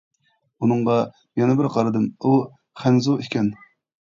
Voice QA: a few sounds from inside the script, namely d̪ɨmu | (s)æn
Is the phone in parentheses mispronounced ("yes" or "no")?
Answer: yes